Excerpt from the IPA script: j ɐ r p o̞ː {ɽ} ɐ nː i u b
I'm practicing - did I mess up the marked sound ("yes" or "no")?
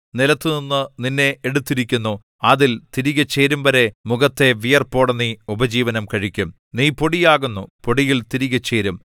no